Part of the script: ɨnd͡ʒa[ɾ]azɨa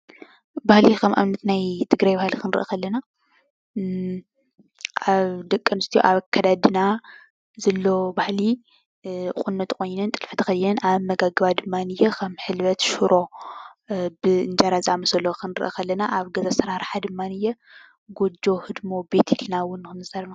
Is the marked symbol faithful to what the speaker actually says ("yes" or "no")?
yes